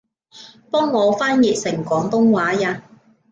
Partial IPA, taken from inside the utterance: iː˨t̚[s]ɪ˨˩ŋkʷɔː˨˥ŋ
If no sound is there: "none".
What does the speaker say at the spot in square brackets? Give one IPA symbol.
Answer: s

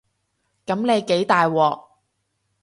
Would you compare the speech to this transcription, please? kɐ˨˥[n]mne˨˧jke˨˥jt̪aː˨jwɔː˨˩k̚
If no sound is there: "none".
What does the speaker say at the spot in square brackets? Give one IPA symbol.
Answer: none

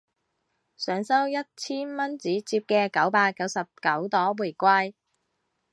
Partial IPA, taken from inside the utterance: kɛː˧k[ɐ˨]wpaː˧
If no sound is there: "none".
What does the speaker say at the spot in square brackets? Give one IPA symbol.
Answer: ɐ˨˥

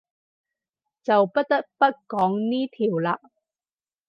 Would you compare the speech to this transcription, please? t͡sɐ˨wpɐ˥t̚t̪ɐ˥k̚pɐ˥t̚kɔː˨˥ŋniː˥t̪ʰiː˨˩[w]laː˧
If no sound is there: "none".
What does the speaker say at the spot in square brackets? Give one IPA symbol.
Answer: w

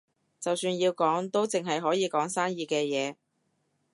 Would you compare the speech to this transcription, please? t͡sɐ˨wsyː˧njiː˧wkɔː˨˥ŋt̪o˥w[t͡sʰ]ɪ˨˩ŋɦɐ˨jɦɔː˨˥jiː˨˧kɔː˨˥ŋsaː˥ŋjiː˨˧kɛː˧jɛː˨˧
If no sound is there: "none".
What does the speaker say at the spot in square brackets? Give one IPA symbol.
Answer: t͡s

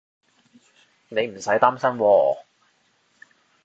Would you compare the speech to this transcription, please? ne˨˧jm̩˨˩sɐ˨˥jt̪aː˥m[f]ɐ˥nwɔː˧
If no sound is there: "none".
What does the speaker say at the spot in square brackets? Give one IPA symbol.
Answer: s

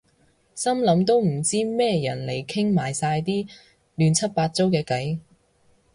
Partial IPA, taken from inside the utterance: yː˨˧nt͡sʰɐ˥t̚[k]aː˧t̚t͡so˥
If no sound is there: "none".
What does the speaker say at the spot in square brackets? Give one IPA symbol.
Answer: p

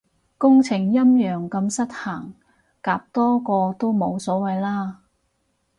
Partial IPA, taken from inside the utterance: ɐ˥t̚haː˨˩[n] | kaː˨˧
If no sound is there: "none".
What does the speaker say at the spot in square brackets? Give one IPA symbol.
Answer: ŋ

